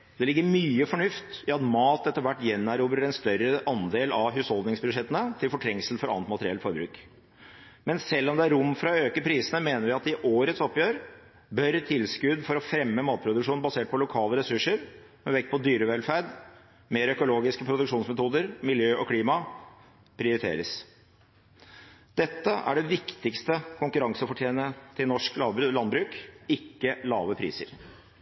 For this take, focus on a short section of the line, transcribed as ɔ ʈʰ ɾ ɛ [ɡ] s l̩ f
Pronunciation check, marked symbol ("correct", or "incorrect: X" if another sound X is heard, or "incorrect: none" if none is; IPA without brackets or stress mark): incorrect: ŋ